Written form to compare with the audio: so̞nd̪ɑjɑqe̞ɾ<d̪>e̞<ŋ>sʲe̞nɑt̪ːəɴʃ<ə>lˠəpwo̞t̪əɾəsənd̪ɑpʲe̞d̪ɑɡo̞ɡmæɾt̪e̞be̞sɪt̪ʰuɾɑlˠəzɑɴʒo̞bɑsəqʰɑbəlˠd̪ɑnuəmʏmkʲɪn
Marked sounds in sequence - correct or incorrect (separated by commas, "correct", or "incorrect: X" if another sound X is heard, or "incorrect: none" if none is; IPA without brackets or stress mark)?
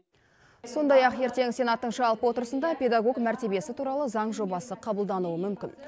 incorrect: t̪, correct, incorrect: ɑ